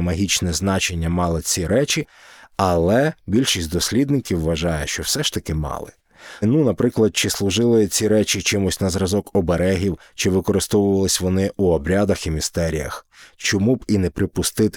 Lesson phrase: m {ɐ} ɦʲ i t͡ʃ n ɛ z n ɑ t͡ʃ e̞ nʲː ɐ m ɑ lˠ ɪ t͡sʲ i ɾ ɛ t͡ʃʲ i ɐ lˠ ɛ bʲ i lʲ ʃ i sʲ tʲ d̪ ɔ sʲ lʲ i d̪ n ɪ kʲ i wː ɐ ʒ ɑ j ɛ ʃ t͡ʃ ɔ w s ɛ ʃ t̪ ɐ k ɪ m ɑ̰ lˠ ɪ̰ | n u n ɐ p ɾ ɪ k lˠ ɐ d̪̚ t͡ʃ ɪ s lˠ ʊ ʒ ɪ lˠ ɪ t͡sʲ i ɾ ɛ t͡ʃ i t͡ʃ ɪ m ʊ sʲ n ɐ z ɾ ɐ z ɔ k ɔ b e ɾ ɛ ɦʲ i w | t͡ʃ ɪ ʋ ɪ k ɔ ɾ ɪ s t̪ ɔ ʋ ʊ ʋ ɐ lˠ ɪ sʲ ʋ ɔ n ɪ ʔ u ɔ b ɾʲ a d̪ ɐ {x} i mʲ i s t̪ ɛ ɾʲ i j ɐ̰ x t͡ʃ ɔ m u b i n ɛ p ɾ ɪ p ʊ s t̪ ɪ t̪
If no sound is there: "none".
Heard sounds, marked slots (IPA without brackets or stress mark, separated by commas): ɐ, x